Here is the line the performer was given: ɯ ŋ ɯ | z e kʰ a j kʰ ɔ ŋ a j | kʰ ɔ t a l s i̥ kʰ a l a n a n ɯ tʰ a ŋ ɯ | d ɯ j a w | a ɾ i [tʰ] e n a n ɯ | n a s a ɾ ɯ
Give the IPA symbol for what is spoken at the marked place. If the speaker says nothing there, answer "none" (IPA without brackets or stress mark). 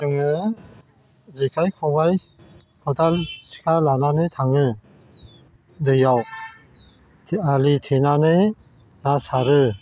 tʰ